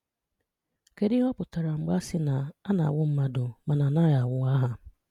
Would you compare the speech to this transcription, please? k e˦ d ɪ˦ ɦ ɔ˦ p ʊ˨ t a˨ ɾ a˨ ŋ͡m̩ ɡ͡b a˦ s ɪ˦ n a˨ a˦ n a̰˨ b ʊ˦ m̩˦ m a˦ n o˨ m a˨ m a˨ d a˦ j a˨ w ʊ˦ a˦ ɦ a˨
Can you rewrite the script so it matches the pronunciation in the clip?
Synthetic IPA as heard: k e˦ d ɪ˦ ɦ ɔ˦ p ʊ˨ t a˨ ɾ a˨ ŋ͡m̩ ɡ͡b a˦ s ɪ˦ n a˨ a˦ n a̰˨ w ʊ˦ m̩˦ m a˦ d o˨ m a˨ n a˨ n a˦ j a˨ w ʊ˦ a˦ ɦ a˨